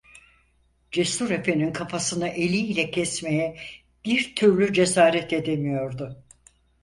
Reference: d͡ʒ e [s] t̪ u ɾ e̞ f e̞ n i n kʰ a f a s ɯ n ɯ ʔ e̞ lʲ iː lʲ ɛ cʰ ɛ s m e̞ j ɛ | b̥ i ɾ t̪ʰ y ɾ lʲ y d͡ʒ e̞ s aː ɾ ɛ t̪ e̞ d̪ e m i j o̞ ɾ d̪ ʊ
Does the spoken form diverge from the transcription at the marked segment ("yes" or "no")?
no